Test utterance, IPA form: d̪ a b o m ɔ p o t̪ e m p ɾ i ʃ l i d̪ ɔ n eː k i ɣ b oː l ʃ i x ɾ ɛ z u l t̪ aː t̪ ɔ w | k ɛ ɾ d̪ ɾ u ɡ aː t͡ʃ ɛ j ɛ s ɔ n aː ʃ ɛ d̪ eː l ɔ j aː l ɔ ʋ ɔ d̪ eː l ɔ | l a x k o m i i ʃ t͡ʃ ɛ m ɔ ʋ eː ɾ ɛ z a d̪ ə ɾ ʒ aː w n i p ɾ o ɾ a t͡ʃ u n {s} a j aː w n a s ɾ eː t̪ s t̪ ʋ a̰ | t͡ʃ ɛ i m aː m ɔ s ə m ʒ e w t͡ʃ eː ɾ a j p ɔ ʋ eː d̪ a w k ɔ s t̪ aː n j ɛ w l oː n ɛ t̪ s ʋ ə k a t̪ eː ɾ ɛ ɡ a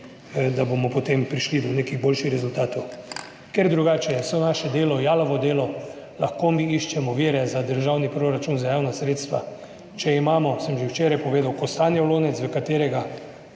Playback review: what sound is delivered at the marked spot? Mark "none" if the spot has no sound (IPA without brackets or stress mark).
z